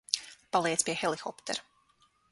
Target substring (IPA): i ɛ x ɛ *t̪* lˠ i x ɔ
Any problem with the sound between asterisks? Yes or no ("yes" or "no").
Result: yes